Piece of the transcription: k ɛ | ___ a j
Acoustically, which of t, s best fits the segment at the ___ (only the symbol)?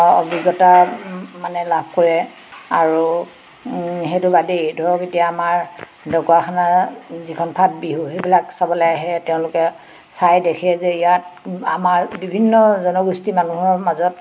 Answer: s